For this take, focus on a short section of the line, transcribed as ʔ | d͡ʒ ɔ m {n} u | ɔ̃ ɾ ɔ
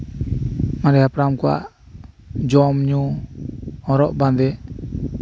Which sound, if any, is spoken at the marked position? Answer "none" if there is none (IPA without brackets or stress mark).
ɲ